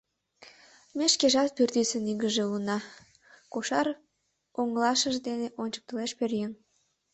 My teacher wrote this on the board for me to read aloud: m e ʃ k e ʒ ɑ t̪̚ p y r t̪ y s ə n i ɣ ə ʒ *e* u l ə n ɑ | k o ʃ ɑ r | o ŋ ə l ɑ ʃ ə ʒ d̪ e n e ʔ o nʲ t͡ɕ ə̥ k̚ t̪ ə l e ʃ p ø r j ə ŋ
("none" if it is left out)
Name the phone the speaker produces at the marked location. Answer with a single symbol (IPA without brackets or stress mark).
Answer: e